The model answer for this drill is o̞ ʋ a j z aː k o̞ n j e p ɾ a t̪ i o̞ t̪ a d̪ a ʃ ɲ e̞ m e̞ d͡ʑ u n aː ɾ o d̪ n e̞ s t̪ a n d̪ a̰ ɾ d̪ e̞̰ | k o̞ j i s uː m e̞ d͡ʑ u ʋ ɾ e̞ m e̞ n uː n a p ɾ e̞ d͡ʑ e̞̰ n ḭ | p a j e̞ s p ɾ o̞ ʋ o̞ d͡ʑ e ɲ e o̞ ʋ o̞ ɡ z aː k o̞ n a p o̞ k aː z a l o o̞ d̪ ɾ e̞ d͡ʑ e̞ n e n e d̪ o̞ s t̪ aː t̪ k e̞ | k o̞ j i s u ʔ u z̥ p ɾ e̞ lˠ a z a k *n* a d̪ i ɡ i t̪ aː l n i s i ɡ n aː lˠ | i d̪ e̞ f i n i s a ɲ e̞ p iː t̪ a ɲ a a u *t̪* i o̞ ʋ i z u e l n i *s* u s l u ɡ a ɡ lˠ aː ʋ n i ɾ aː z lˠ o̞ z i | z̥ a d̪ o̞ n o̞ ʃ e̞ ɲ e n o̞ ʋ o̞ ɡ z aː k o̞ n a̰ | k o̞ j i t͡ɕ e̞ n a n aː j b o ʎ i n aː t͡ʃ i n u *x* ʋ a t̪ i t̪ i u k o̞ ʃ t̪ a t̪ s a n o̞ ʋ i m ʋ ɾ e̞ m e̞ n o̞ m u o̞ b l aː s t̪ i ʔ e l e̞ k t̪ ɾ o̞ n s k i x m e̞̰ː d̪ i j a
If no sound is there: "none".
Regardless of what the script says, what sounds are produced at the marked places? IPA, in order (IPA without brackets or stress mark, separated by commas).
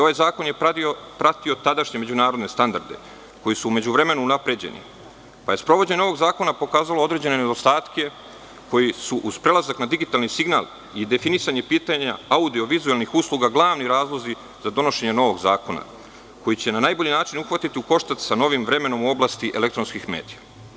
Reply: n, d̪, x, x